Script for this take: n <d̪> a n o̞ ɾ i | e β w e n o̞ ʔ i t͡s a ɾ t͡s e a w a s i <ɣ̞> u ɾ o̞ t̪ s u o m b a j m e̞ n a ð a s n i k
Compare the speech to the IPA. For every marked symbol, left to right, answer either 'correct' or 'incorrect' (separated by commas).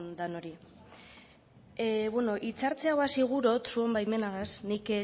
correct, correct